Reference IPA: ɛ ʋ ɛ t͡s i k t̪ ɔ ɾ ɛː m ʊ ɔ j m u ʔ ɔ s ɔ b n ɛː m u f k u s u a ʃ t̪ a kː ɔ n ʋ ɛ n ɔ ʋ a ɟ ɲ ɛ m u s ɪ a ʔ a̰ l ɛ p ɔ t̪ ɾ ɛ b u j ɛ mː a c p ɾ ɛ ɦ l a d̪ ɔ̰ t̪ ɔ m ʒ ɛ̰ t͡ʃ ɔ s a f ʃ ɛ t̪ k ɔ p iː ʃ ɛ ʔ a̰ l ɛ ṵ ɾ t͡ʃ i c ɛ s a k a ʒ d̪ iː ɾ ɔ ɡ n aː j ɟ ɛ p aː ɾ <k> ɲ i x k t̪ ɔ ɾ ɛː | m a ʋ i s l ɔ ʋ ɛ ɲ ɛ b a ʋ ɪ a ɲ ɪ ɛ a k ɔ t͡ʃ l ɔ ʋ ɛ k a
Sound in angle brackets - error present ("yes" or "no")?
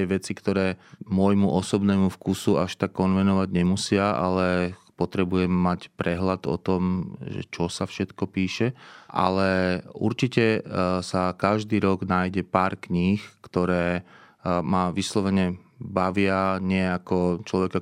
no